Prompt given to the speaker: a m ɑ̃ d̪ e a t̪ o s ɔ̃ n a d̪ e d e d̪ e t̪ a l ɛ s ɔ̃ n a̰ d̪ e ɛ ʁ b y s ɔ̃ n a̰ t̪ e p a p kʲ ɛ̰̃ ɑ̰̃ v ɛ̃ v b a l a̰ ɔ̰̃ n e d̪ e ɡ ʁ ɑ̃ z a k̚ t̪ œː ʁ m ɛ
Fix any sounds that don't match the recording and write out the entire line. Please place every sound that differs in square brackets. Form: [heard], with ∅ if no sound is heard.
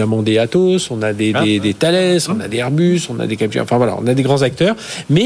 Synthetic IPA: a m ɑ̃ d̪ e a t̪ o s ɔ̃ n a d̪ e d e d̪ e t̪ a l ɛ s ɔ̃ n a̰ d̪ e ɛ ʁ b y s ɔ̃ n a̰ [d̪] e [k] a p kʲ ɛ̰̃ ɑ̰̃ [f] ɛ̃ v [w] a l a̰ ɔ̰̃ n [a] d̪ e ɡ ʁ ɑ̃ z a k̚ t̪ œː ʁ m ɛ